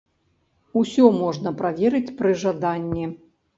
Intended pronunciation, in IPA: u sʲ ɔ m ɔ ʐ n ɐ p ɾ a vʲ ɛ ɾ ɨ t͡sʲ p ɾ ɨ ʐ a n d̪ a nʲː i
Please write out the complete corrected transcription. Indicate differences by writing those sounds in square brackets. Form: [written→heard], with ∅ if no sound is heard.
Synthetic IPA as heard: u sʲ ɔ m ɔ ʐ n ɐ p ɾ a vʲ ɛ ɾ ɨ t͡sʲ p ɾ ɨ ʐ a [n→∅] d̪ a nʲː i